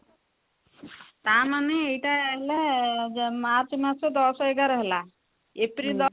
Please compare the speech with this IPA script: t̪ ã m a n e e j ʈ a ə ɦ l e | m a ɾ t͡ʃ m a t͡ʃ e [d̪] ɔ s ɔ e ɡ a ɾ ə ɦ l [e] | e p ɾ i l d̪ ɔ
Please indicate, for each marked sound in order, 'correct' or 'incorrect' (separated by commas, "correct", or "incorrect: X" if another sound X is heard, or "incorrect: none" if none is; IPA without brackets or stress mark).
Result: correct, incorrect: a